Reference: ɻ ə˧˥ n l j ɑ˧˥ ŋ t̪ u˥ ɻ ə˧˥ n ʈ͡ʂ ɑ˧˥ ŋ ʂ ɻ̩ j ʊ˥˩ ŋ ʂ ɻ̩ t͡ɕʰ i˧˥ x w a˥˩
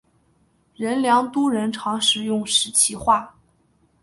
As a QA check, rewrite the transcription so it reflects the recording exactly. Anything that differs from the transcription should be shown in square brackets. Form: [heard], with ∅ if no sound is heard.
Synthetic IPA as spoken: ɻ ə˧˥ n l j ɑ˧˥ ŋ t̪ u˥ ɻ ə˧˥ n [ʈ͡ʂʰ] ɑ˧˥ ŋ ʂ ɻ̩ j ʊ˥˩ ŋ ʂ ɻ̩ t͡ɕʰ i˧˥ x w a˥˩